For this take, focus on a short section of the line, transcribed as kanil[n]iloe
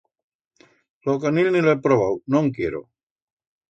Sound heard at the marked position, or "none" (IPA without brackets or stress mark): n